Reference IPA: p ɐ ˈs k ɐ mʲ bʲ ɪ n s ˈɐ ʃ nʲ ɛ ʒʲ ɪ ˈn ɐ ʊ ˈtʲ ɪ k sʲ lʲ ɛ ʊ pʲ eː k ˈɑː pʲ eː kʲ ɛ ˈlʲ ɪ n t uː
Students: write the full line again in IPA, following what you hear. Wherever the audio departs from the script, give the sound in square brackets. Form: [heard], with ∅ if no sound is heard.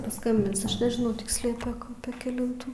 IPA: p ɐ ˈs k ɐ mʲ bʲ ɪ n s ˈɐ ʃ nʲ ɛ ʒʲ ɪ ˈn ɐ ʊ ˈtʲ ɪ k sʲ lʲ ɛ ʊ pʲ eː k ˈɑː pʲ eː kʲ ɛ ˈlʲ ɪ n t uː